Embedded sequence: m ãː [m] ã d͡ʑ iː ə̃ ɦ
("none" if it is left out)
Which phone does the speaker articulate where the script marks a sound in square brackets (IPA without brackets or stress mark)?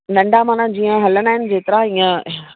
n